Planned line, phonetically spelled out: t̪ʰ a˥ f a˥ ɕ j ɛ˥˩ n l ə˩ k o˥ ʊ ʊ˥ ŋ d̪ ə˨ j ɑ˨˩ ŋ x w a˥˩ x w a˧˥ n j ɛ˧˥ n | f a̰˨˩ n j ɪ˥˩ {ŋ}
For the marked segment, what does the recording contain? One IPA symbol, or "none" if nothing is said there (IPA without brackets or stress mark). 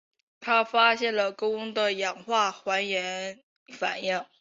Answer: ŋ